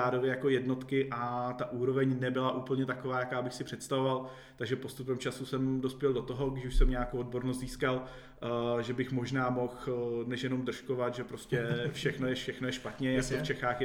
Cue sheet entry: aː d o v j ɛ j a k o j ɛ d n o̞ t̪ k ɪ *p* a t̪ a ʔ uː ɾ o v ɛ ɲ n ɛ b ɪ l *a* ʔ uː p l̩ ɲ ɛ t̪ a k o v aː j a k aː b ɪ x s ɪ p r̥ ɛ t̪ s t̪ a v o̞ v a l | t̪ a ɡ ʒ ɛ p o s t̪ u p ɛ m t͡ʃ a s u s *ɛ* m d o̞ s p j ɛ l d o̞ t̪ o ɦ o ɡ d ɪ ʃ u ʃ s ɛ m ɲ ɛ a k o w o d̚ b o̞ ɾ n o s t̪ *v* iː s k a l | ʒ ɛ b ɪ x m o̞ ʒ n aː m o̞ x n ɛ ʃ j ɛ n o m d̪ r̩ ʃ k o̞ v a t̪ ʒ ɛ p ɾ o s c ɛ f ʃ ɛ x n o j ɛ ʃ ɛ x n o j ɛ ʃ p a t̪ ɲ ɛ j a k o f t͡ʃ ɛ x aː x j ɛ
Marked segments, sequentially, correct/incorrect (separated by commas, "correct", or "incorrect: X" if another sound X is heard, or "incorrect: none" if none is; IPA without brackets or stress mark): incorrect: ʔ, correct, correct, incorrect: z